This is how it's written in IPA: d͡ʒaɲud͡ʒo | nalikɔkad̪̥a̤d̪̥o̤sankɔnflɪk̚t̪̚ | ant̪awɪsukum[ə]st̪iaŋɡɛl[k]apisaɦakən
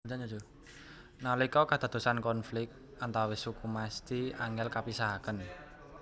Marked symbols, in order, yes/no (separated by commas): no, yes